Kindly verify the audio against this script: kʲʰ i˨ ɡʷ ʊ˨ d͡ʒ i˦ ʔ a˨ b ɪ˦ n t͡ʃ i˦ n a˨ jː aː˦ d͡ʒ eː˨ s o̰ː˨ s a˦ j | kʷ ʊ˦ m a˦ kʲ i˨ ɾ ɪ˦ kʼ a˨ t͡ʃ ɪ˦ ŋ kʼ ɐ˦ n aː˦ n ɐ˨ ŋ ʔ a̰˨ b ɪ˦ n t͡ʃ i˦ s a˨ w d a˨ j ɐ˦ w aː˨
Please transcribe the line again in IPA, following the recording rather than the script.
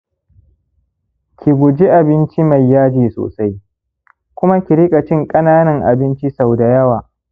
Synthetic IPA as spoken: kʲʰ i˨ ɡʷ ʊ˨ d͡ʒ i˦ ʔ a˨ b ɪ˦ n t͡ʃ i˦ m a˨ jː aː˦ d͡ʒ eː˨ s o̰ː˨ s a˦ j | kʷ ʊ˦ m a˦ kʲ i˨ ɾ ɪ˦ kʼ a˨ t͡ʃ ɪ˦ ŋ kʼ ɐ˦ n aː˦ n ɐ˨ ŋ ʔ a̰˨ b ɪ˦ n t͡ʃ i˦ s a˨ w d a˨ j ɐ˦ w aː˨